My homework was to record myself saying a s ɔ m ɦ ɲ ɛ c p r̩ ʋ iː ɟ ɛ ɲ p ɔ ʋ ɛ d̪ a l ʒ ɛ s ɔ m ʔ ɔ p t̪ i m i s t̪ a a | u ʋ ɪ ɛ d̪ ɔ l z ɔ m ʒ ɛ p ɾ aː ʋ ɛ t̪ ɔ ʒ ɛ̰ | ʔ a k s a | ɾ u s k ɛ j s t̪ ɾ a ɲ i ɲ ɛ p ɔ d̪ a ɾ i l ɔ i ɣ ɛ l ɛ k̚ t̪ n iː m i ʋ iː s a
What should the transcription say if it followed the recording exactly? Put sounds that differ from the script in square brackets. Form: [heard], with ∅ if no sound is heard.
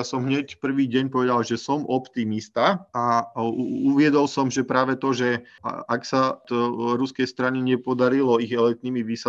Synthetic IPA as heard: a s ɔ m ɦ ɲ ɛ c p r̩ ʋ iː ɟ ɛ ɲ p ɔ ʋ ɛ d̪ a l ʒ ɛ s ɔ m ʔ ɔ p t̪ i m i s t̪ a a | u ʋ ɪ ɛ d̪ ɔ l [s] ɔ m ʒ ɛ p ɾ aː ʋ ɛ t̪ ɔ ʒ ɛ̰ | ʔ a k s a | ɾ u s k ɛ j s t̪ ɾ a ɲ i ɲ ɛ p ɔ d̪ a ɾ i l ɔ i ɣ ɛ l ɛ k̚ t̪ n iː m i ʋ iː s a